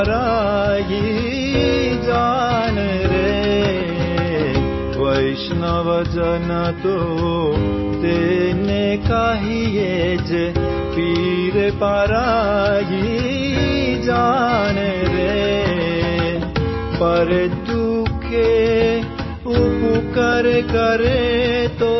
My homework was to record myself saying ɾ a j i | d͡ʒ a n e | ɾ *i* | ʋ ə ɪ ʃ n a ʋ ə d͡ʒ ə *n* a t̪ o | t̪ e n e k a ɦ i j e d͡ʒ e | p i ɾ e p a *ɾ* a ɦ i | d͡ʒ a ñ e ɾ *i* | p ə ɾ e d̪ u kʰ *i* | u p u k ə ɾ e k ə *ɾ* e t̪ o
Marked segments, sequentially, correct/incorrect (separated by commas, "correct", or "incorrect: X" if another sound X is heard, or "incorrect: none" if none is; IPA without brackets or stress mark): incorrect: e, correct, correct, incorrect: e, incorrect: e, correct